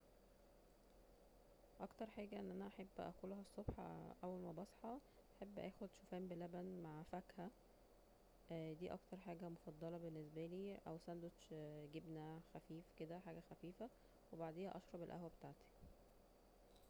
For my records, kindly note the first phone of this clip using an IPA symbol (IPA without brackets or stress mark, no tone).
ʔ